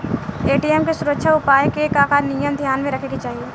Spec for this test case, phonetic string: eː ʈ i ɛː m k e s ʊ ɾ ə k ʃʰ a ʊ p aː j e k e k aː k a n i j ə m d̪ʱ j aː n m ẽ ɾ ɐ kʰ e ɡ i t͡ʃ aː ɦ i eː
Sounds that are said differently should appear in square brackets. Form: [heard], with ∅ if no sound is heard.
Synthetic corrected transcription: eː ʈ i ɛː m k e s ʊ ɾ ə k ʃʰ a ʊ p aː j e k e k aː k a n i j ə m d̪ʱ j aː n m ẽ ɾ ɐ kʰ e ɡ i t͡ʃ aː ɦ i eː